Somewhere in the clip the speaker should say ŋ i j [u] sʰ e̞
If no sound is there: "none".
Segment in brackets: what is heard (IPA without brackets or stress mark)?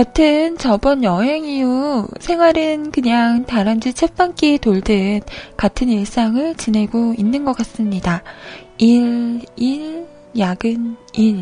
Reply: u